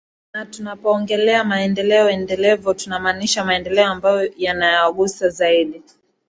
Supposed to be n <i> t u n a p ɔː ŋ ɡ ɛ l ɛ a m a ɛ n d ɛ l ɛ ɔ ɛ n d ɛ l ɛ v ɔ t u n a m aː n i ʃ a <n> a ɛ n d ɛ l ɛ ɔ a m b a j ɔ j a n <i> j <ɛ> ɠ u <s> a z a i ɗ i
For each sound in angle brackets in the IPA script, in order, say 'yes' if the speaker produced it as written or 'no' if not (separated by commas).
no, no, no, no, yes